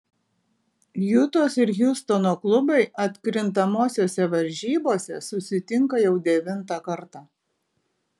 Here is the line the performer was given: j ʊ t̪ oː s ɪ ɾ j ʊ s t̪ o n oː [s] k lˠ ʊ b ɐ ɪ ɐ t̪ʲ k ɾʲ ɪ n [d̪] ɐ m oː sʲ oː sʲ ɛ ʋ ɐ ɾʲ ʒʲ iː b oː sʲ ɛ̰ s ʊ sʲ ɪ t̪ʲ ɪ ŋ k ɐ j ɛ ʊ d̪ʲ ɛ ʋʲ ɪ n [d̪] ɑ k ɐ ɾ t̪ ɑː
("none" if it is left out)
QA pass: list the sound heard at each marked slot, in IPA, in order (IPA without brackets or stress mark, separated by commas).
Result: none, t̪, t̪